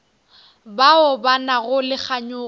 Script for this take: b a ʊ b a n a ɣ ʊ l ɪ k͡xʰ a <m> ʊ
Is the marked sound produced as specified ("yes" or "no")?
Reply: no